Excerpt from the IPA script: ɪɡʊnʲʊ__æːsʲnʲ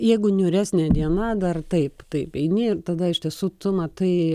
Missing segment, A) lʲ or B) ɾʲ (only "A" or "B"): B